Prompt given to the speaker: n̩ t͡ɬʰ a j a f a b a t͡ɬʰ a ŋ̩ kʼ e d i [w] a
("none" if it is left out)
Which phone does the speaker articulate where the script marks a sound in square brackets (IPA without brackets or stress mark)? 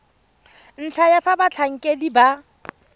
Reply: b